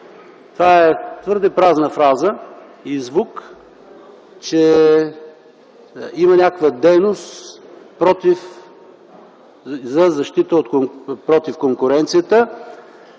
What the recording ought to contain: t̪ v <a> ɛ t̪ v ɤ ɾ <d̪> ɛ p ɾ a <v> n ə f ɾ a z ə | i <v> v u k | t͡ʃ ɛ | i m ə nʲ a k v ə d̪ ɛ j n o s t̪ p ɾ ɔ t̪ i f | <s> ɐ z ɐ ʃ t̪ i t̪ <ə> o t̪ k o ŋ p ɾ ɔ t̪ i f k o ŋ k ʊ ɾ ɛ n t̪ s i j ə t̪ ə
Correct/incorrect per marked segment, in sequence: correct, correct, incorrect: z, incorrect: z, incorrect: z, correct

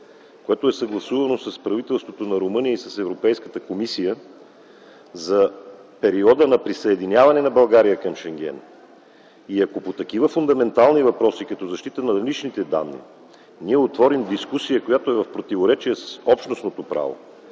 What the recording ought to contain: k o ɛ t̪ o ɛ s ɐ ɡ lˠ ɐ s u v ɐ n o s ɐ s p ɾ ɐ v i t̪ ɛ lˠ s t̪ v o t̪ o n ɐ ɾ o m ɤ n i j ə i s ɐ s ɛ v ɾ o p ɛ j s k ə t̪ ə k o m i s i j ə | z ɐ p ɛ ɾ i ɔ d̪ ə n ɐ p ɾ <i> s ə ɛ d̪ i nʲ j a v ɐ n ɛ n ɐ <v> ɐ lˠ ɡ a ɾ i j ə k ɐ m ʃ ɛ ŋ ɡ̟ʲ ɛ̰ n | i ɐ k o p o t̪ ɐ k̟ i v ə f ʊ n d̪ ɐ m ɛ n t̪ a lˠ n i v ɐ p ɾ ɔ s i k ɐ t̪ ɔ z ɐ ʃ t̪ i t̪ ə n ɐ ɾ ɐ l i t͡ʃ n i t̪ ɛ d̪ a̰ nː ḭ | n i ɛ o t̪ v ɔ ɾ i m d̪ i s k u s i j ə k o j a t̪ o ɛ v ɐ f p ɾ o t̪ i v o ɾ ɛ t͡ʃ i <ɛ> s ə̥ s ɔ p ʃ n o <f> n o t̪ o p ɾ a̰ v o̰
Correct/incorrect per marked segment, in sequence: correct, incorrect: b, correct, incorrect: s

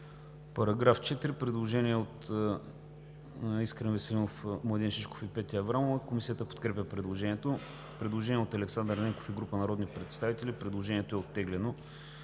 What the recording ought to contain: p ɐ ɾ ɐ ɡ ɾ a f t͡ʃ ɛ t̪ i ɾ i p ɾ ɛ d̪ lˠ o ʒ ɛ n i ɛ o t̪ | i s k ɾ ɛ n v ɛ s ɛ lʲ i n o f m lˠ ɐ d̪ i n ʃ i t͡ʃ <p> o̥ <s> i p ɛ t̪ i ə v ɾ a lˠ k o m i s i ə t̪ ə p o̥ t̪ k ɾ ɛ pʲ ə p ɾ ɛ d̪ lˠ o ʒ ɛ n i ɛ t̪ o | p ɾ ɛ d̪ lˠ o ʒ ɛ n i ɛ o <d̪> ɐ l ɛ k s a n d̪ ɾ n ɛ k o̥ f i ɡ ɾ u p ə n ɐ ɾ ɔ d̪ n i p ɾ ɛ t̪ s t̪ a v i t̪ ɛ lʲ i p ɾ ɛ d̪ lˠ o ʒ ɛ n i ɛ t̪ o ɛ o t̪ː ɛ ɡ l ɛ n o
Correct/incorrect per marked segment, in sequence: incorrect: k, incorrect: f, incorrect: t̪

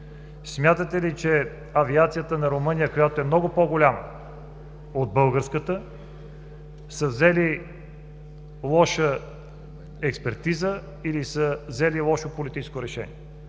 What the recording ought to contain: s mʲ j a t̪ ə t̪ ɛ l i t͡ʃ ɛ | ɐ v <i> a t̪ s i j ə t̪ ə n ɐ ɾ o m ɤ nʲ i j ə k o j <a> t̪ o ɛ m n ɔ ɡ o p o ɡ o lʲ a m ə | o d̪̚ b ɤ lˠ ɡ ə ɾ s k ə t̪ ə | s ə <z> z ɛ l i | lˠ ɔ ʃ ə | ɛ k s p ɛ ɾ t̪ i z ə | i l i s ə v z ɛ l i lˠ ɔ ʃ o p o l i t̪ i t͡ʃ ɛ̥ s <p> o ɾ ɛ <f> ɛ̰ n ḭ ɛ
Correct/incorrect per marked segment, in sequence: correct, correct, incorrect: v, incorrect: k, incorrect: ʃ

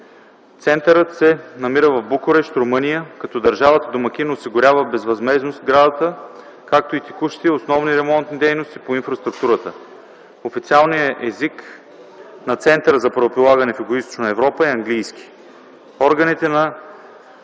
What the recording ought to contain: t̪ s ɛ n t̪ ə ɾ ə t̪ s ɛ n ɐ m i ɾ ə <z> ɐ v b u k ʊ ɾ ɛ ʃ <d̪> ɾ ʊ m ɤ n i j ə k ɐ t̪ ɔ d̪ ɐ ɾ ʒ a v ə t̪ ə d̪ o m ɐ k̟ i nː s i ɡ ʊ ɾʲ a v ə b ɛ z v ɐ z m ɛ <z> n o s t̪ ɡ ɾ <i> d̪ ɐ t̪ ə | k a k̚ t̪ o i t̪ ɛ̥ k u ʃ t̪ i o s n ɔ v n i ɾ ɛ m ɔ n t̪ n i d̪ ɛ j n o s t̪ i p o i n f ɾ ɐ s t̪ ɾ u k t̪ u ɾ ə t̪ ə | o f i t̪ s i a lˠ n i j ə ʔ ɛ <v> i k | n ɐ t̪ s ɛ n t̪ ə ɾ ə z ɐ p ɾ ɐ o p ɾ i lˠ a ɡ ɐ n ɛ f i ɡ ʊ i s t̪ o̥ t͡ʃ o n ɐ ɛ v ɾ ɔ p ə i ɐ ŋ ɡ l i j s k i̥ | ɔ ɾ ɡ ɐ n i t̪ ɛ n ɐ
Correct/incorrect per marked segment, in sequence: incorrect: v, incorrect: t̪, correct, incorrect: a, incorrect: z

